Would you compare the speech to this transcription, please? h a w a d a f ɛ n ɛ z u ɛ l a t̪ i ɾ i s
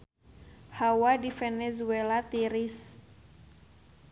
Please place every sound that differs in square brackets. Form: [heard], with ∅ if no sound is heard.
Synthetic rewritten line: h a w a d [i] f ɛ n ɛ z u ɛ l a t̪ i ɾ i s